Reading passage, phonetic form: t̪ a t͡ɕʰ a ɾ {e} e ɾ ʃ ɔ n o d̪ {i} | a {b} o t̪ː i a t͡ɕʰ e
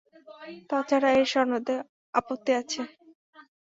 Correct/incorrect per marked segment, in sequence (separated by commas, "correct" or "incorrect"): incorrect, incorrect, incorrect